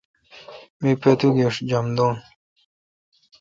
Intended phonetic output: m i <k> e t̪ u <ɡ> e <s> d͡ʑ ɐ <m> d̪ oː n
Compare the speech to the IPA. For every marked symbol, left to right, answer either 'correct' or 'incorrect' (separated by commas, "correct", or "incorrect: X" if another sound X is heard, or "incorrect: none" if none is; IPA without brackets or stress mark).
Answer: incorrect: p, correct, incorrect: ʂ, correct